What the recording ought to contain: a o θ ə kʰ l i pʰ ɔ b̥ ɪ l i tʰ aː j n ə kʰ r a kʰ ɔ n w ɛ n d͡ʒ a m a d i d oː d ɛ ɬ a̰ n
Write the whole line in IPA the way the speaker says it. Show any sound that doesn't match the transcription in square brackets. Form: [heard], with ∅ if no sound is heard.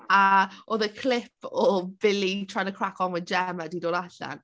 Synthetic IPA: a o [ð] ə kʰ l [ɪ] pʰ ɔ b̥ ɪ l i tʰ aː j n ə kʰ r a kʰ ɔ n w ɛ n d͡ʒ [ɛ] m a d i d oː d [a] ɬ a̰ n

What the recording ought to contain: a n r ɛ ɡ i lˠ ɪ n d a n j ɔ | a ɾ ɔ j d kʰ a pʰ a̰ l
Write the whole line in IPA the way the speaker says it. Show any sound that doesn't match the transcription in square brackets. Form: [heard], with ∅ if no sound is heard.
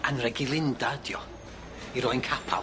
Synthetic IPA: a n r ɛ ɡ i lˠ ɪ n d a [d] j ɔ | [i] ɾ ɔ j [n] kʰ a pʰ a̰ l

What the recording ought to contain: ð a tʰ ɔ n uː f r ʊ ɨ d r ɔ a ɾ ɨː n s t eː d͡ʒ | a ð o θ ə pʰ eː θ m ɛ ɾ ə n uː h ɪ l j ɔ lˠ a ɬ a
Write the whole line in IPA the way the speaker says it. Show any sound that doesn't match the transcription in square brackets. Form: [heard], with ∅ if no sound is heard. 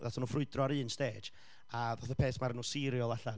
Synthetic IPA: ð a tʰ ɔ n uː f r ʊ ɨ d r ɔ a ɾ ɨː n s t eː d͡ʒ | a ð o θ ə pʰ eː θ m [a] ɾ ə n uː [s] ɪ [ɾ] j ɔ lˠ a ɬ a

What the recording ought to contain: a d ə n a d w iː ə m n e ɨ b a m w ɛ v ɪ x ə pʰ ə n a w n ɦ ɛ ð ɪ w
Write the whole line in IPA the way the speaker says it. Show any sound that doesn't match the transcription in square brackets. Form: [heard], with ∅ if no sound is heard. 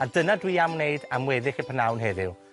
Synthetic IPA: a d ə n a d w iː [a] m n e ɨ [d] a m w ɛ [ð] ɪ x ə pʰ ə n a w n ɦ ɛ ð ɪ w

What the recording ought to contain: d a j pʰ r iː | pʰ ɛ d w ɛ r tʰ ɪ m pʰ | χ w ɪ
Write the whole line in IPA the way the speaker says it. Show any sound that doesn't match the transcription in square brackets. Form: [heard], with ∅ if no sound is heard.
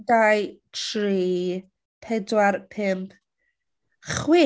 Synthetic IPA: d a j [tʰ] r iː | pʰ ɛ d w [a] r [pʰ] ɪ m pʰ | χ w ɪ

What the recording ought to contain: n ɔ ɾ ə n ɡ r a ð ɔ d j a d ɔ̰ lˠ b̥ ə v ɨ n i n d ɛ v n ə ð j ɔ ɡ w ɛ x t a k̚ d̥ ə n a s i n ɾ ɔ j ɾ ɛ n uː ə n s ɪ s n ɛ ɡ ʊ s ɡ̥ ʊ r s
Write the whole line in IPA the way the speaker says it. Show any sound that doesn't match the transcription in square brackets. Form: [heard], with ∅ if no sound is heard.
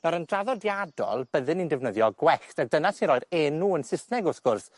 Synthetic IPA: n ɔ ɾ ə n [d] r a ð ɔ d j a d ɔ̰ lˠ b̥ ə [ð] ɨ n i n d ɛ v n ə ð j ɔ ɡ w ɛ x t a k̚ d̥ ə n a s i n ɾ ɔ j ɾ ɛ n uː ə n s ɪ s n ɛ ɡ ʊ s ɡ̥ ʊ r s

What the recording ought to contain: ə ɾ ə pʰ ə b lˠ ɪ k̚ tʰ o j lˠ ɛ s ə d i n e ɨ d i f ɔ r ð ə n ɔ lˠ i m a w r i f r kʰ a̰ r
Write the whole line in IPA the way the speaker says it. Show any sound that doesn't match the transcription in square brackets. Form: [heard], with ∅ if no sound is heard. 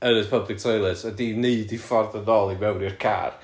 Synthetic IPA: ə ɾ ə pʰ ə b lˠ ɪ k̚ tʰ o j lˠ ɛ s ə d i n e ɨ d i f ɔ r ð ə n ɔ lˠ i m [ɛ] w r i [∅] r kʰ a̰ r

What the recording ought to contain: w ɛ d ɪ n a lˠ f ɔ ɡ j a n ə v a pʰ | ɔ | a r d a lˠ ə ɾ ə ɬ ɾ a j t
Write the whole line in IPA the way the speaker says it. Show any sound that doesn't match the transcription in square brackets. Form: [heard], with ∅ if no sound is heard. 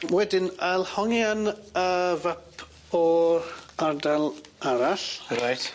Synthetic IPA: w ɛ d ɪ n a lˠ [h] ɔ [ŋ] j a n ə v a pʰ | ɔ | a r d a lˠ [a] ɾ [a] ɬ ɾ a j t

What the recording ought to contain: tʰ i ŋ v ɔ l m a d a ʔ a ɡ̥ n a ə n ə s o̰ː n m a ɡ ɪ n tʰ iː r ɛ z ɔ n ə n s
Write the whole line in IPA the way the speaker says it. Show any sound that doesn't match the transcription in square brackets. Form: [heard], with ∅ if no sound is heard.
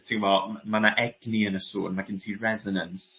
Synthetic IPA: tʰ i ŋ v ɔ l m a [n] a ʔ [ɛ] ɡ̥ n [i] ə n ə s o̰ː n m a ɡ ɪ n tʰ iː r ɛ z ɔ n ə n s

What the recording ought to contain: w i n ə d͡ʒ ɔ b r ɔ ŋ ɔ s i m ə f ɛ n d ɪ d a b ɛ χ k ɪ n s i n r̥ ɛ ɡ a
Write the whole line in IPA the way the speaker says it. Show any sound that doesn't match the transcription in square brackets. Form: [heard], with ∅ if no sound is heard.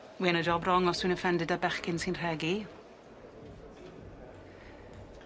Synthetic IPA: w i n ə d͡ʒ ɔ b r ɔ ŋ ɔ s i [n] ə f ɛ n d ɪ d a b ɛ χ k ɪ n s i n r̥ ɛ ɡ [i]

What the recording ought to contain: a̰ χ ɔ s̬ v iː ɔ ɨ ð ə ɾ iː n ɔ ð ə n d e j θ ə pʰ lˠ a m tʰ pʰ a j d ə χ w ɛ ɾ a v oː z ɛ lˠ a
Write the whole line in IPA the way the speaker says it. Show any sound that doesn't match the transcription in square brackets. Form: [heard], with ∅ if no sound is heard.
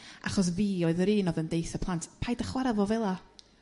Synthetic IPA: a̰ χ ɔ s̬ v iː ɔ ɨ ð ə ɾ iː n ɔ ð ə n d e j θ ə pʰ lˠ a [n] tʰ pʰ a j d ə χ w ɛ ɾ a v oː [v] ɛ lˠ a

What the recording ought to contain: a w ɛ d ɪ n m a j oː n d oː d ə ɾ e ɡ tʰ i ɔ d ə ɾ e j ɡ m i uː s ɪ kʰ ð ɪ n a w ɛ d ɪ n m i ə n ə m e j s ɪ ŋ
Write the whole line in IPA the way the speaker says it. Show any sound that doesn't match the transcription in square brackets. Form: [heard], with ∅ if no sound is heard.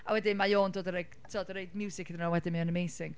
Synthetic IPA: a w ɛ d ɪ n m a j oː n d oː d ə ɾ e ɡ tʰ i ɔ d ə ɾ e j [d] m [j] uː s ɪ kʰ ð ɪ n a w ɛ d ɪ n m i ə n ə m e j s ɪ ŋ

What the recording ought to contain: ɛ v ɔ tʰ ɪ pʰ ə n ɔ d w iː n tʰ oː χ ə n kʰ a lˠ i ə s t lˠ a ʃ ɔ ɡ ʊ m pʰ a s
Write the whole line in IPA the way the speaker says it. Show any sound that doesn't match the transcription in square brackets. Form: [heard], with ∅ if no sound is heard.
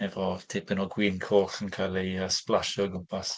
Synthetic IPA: ɛ v ɔ tʰ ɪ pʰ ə n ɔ [ɡ] w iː n [kʰ] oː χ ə n kʰ a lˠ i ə s [p] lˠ a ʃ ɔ ɡ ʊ m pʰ a s

